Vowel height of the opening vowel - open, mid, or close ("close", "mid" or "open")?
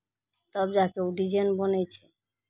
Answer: mid